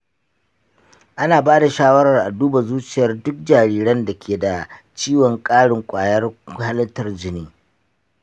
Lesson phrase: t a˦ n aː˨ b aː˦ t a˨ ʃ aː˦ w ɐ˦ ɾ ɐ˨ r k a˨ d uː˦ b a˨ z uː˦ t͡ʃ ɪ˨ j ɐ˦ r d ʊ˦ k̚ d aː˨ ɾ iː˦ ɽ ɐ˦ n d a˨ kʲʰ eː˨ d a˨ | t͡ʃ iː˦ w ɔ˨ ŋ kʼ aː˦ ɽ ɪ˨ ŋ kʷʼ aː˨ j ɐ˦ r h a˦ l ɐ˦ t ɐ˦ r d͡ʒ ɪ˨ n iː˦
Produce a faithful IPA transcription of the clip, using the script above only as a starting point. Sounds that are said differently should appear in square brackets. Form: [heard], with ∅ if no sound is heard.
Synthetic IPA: [ʔ] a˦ n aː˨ b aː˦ [d] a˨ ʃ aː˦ w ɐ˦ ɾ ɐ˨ r [ʔ] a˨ d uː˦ b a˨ z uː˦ t͡ʃ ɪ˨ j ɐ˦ r d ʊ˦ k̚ [d͡ʒ] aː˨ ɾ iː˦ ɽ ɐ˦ n d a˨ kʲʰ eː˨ d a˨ | t͡ʃ iː˦ w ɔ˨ ŋ kʼ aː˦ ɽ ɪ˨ ŋ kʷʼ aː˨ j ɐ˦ r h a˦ l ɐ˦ t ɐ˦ r d͡ʒ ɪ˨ n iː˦